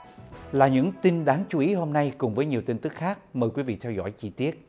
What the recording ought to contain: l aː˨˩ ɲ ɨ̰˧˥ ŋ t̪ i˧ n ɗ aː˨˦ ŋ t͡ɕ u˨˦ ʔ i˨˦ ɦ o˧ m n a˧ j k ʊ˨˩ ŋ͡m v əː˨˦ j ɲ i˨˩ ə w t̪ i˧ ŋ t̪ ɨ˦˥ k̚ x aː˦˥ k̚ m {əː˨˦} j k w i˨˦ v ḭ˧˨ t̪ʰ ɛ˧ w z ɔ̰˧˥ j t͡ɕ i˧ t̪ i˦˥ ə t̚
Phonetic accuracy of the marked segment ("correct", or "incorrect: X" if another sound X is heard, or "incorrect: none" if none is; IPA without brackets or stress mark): incorrect: əː˨˩